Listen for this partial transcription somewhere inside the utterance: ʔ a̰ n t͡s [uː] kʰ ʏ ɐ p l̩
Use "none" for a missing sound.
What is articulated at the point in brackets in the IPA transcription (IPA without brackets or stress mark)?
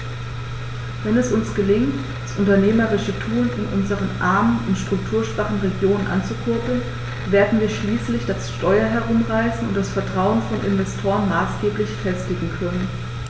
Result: u